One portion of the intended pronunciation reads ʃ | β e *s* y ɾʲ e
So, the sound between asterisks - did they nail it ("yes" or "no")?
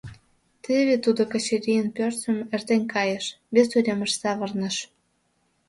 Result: yes